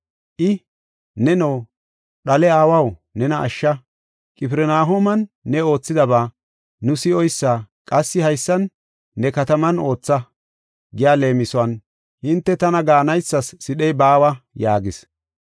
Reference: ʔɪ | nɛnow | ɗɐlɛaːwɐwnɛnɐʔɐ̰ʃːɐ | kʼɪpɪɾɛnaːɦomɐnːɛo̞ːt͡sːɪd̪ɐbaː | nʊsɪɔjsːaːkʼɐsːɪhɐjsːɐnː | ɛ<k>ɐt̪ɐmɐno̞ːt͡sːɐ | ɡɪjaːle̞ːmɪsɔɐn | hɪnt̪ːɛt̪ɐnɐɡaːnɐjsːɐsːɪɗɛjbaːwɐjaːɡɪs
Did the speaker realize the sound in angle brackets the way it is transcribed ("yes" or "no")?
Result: yes